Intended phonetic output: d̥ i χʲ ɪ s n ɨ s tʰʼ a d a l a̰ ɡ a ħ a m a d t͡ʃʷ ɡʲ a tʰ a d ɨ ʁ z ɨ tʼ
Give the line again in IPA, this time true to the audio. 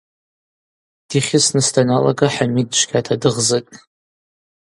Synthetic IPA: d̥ i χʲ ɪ s n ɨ s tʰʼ a n a l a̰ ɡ a ħ a m i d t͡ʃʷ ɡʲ a tʰ a d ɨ ʁ z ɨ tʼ

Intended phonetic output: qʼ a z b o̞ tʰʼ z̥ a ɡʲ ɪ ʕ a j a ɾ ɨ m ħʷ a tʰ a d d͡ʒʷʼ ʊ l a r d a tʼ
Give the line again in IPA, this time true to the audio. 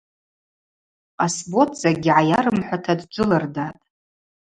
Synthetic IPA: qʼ a s b o̞ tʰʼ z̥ a ɡʲ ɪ ʕ a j a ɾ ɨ m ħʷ a tʰ a d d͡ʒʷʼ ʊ l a r d a tʼ

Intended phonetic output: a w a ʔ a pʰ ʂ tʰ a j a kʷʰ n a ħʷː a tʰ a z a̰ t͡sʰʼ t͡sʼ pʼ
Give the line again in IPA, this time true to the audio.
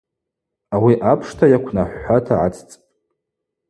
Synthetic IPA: a w i ʔ a pʰ ʂ tʰ a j a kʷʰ n a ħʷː a tʰ a ʕ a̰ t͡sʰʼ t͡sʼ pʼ

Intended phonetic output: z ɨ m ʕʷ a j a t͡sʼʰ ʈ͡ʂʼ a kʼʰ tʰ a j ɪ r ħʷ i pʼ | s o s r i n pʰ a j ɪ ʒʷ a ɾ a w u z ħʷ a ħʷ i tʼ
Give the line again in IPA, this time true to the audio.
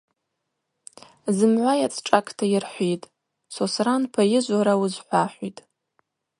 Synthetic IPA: z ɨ m ʕʷ a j a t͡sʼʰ ʈ͡ʂʼ a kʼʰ tʰ a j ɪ r ħʷ i tʼ | s o s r a n pʰ a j ɪ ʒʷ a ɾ a w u z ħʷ a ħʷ i tʼ

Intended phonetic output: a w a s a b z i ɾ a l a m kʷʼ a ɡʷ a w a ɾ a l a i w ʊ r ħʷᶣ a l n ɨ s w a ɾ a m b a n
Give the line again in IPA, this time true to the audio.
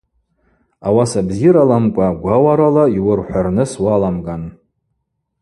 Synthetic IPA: a w a s a b z i ɾ a l a m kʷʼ a ɡʷ a w a ɾ a l a i w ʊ r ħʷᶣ a r n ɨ s w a l a m ɡ a n

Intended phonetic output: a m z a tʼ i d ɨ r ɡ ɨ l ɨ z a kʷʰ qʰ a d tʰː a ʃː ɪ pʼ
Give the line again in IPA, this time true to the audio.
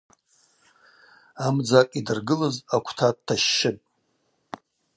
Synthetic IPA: a m d͡z a kʼ i d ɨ r ɡ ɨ l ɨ z a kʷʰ tʰ a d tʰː a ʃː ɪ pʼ

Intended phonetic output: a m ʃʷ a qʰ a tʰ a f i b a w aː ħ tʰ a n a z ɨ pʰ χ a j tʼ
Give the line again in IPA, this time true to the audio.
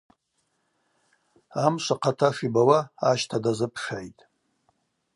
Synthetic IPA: a m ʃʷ a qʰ a tʰ a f i b a w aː ʃ tʰ a d a z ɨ pʰ ʂ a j tʼ

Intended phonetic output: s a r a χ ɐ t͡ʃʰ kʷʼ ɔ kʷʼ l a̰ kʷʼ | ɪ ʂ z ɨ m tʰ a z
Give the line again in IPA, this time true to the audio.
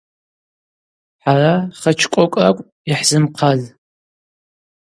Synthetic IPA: ħ a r a χ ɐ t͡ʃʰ kʷʼ ɔ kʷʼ r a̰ kʷʼ | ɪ ħ z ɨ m qʰ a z

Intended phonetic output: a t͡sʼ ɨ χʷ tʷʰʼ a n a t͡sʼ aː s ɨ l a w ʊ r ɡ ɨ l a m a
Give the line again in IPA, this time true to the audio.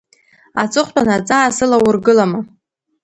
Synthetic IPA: a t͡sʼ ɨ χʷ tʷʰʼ a n a t͡sʼ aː s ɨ l a w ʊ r ɡ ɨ l a m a

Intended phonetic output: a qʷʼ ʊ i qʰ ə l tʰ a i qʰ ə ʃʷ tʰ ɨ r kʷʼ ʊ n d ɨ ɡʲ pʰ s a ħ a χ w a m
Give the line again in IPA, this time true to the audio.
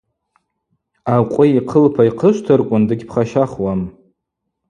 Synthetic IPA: a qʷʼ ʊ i qʰ ə l pʰ a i qʰ ə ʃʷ tʰ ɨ r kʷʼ ʊ n d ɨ ɡʲ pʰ χ a ʃ a χ w a m

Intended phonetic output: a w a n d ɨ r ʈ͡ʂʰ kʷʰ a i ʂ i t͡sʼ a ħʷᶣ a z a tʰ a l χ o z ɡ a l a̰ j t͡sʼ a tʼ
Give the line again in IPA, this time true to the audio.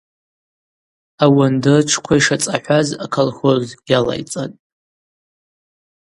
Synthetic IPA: a w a n d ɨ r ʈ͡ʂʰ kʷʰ a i ʂ a t͡sʼ a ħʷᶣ a z a kʰ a l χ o z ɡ a l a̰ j t͡sʼ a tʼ

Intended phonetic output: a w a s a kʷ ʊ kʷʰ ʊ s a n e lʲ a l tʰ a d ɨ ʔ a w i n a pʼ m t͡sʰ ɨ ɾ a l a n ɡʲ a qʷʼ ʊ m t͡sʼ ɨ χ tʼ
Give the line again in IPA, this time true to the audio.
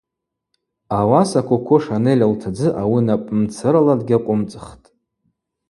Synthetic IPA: a w a s a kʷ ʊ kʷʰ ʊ ʂ a n e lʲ a l tʰ a d͡z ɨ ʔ a w i n a pʼ m t͡sʰ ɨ ɾ a l a d ɡʲ a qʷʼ ʊ m t͡sʼ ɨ χ tʼ

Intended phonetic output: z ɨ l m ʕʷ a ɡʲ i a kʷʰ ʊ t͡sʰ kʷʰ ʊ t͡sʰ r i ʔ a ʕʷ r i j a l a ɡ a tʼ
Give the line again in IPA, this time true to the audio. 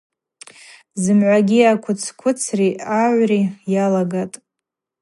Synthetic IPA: z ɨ m ʕʷ a ɡʲ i a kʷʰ ʊ t͡sʰ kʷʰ ʊ t͡sʰ r i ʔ a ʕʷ r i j a l a ɡ a tʼ

